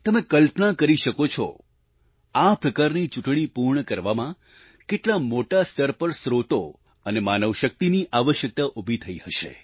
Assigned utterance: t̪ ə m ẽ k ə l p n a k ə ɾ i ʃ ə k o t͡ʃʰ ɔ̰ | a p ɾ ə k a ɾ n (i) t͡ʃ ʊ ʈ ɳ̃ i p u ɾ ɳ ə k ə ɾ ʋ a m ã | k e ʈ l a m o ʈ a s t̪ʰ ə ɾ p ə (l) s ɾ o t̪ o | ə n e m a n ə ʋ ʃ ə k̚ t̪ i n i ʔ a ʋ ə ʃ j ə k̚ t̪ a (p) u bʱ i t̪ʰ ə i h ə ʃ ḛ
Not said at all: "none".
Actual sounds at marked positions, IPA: i, ɾ, ʔ

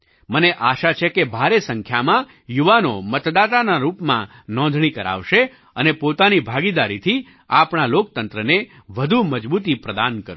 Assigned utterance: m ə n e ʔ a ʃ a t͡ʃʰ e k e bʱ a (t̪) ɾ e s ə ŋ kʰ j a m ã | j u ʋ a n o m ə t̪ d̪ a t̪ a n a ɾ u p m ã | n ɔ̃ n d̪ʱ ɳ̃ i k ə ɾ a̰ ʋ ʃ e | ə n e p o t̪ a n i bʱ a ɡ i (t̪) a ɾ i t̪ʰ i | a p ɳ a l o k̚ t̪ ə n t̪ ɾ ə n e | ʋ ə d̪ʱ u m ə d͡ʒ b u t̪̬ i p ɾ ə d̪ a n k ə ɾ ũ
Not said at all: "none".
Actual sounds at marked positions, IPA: none, d̪

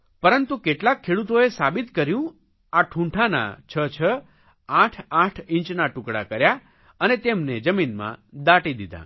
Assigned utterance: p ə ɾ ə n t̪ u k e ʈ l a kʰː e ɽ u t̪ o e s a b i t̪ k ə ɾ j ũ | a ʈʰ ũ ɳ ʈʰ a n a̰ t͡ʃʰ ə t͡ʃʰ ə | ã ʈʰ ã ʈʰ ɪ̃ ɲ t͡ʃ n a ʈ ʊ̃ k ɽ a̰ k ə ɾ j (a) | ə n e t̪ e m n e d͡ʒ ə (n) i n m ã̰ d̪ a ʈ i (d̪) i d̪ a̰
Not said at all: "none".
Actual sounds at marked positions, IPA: a, m, d̪

